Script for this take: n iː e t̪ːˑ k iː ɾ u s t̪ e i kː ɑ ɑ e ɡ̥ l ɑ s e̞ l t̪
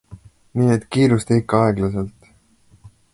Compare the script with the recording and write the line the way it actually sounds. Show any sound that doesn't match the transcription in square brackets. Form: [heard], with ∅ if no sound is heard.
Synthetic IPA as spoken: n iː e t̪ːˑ k iː ɾ u s t̪ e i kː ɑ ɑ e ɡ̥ l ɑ s e̞ l t̪